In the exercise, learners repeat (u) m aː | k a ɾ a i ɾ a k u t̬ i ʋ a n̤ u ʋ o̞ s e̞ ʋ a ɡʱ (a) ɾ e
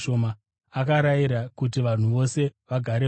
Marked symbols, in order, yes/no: no, yes

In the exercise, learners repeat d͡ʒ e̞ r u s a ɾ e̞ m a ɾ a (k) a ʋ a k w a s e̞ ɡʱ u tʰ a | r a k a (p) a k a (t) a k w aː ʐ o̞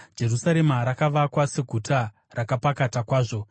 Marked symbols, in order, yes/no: yes, yes, yes

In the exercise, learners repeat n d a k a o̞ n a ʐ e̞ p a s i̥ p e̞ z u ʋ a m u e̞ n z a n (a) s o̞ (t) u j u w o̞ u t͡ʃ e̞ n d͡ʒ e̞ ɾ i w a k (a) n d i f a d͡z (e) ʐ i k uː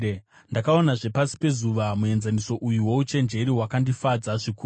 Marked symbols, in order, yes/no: no, no, yes, no

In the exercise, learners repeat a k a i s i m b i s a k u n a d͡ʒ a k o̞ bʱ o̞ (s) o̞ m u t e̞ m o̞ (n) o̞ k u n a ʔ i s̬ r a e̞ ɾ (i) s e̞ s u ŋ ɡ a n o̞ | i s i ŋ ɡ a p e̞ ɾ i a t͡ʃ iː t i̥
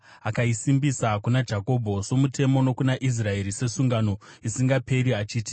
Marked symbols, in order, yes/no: yes, yes, yes

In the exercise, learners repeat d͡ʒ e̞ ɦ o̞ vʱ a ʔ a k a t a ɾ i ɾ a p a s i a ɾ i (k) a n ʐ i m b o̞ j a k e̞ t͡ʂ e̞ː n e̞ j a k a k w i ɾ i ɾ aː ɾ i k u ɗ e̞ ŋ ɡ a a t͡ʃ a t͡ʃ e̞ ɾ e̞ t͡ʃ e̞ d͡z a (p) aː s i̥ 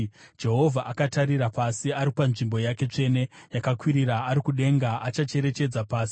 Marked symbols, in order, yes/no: no, yes

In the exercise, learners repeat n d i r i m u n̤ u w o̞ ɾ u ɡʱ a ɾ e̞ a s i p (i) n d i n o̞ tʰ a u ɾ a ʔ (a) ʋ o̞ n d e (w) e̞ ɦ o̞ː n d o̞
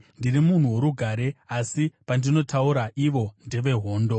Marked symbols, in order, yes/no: no, no, no

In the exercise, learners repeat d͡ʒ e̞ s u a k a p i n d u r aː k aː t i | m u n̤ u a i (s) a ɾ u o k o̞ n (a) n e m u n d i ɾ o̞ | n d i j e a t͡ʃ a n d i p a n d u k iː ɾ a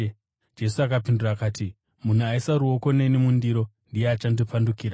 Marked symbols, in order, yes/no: yes, no

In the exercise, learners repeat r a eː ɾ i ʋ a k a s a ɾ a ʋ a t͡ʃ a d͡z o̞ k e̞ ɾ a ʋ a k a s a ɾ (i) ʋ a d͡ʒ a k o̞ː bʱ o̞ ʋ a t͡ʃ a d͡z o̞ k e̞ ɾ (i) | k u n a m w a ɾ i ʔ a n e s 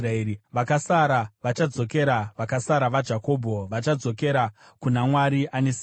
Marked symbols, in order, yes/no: no, no

